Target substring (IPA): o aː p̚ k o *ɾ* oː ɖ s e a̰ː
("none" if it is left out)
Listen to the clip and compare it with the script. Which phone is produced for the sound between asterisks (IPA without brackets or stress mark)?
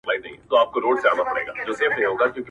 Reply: ɾ